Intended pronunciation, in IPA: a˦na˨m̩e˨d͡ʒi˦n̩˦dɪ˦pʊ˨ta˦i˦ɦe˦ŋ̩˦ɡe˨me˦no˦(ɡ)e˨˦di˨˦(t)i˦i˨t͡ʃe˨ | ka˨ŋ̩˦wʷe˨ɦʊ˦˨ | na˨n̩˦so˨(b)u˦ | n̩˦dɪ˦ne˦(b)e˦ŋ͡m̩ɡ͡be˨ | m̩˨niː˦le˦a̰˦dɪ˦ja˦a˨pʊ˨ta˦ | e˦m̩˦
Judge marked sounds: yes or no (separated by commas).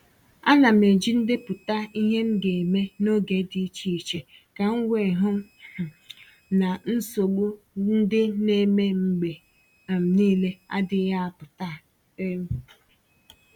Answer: yes, no, no, no